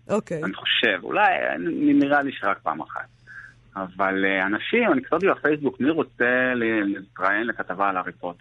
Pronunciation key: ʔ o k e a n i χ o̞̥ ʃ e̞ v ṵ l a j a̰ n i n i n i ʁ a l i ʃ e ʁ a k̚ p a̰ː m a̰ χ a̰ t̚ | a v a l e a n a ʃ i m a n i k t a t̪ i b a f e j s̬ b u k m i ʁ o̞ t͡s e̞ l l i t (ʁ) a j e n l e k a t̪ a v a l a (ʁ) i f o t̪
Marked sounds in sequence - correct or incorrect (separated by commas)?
correct, correct